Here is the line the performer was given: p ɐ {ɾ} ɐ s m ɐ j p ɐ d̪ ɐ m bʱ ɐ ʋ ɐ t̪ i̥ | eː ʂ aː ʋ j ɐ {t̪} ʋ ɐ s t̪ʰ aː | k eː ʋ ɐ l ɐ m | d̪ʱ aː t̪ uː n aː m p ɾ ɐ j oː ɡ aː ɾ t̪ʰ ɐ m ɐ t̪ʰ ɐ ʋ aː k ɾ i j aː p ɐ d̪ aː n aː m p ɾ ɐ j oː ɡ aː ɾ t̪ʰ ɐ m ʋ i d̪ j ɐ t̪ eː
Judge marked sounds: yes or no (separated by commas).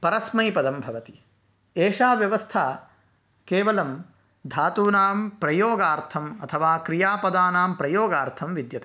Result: yes, no